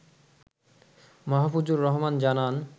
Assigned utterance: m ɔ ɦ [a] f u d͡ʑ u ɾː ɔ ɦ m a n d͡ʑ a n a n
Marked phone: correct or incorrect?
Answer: correct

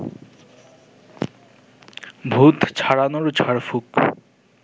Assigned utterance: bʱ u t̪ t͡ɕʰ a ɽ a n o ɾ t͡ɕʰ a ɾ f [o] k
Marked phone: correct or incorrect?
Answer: incorrect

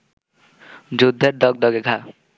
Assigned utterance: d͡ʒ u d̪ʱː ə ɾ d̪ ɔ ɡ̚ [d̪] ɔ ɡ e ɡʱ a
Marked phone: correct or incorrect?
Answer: correct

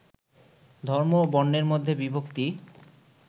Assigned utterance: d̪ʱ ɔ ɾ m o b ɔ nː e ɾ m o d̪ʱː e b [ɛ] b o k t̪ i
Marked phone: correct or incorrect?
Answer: incorrect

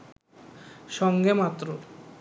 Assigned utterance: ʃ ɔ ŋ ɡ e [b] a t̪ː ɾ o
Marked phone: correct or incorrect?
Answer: incorrect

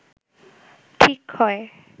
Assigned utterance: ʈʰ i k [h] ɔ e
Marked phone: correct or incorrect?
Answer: correct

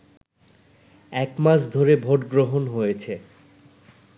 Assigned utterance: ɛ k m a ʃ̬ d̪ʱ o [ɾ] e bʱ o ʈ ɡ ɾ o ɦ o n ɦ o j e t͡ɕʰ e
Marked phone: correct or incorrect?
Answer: correct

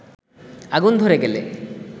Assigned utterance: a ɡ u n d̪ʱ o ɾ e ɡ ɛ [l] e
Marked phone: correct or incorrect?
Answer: correct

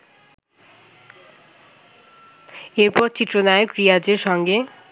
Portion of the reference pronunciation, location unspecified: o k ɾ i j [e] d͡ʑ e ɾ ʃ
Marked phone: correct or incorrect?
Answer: incorrect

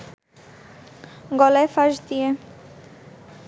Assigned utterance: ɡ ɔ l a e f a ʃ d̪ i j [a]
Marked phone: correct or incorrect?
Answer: incorrect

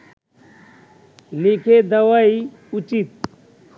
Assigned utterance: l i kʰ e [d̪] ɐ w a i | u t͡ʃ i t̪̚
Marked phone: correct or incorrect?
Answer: correct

